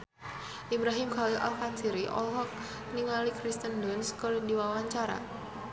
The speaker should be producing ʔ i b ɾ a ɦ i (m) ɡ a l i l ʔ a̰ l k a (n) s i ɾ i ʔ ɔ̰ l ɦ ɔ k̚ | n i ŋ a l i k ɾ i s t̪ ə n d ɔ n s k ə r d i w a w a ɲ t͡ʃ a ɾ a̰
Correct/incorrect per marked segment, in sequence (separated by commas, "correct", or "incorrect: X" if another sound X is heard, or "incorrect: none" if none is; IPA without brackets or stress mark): correct, correct